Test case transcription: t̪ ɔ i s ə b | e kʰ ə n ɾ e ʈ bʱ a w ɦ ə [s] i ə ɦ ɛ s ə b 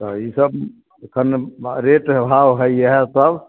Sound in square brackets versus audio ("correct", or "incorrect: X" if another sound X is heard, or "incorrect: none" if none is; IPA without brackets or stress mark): incorrect: none